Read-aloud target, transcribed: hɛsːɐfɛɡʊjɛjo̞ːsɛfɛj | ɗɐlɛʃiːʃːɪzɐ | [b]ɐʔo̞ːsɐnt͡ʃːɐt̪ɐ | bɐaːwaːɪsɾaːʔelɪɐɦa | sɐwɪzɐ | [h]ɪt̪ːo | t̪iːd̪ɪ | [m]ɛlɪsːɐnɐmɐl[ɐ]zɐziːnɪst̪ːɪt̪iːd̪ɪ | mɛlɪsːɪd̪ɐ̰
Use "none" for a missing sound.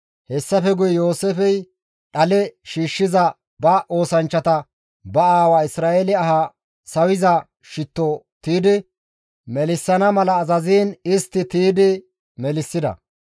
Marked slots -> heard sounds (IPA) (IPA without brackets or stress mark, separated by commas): b, ʃ, m, ɐː